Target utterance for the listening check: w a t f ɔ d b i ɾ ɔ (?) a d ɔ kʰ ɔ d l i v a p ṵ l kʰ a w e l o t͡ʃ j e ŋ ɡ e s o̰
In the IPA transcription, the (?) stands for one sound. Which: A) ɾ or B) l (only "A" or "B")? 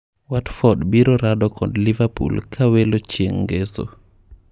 A